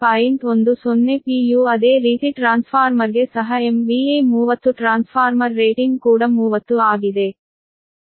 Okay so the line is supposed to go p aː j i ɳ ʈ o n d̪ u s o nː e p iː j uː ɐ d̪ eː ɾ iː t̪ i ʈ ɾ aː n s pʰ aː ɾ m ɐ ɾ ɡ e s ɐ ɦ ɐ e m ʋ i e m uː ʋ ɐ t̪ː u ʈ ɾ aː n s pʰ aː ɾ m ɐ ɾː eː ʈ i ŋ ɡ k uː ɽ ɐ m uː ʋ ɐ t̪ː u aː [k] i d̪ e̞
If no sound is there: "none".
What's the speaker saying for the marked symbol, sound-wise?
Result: ɡ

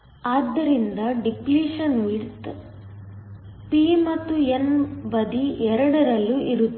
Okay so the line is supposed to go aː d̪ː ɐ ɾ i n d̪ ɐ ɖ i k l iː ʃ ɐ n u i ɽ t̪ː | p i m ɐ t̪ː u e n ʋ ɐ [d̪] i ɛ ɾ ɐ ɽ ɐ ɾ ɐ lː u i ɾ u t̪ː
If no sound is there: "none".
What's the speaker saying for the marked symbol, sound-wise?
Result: d̪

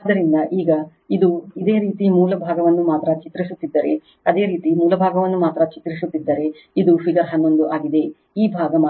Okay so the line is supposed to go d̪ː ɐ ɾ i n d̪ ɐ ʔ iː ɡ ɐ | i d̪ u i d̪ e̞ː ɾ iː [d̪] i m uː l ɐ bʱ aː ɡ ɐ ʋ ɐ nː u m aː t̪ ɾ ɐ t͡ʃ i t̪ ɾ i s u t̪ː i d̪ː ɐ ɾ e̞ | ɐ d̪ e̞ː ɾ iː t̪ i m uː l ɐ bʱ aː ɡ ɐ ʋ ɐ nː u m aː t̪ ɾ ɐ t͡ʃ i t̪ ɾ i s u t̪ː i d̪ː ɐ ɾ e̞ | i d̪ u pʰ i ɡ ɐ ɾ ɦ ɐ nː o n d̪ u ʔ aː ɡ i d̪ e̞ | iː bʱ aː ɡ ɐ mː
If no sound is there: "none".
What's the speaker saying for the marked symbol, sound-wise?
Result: t̪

